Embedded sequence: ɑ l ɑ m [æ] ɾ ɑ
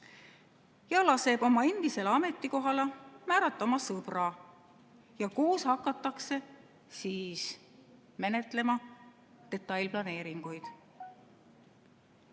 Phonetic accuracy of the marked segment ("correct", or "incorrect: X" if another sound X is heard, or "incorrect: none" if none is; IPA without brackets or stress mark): incorrect: æː